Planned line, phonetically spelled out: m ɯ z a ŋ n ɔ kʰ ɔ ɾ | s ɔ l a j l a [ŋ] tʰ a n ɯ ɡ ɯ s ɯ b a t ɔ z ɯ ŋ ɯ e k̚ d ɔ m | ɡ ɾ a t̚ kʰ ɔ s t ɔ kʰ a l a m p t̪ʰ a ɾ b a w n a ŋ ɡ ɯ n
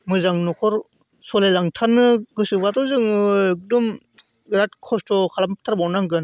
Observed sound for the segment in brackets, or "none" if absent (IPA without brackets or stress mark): ŋ